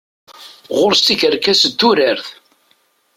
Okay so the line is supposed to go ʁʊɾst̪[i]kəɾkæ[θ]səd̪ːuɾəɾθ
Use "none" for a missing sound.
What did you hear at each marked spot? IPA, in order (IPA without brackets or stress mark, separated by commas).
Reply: i, none